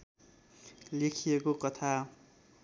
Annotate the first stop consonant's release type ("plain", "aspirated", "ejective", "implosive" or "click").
aspirated